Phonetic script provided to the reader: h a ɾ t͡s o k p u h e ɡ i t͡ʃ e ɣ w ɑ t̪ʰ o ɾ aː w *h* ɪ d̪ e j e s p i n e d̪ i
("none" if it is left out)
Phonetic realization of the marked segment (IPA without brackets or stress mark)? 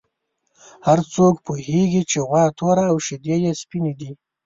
ʃ